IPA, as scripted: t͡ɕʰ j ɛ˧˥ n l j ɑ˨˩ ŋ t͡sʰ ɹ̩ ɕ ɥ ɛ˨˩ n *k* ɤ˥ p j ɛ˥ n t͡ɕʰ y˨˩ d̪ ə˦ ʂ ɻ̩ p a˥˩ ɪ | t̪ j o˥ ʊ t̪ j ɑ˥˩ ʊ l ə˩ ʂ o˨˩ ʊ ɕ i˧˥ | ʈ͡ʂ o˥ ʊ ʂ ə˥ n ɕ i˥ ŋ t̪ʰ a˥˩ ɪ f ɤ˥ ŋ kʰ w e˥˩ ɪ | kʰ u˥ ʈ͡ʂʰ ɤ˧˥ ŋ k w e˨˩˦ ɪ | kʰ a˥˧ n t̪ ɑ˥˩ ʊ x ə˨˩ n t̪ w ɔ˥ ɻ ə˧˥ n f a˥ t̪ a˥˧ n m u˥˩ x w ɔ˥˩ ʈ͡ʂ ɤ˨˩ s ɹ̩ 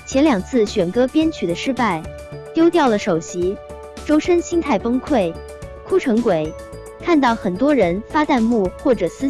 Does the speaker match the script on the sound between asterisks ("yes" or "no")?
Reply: yes